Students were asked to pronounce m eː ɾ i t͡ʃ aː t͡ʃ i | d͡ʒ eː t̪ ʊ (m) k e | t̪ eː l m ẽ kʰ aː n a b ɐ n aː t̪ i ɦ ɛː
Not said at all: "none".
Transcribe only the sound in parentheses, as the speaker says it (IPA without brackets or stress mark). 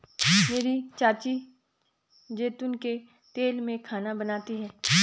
n